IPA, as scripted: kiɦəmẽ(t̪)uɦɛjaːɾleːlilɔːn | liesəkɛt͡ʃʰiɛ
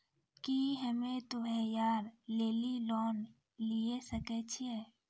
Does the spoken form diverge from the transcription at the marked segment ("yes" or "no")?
no